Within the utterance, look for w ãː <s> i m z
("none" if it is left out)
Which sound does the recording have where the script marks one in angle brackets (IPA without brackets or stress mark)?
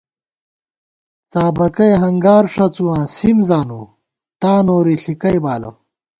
s